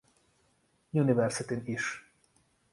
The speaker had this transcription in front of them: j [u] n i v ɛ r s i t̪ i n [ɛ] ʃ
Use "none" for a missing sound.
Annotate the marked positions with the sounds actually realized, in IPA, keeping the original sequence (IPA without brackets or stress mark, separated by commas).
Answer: u, i